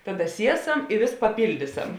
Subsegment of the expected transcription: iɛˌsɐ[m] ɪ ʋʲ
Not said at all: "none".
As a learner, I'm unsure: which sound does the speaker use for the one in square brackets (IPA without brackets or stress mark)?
m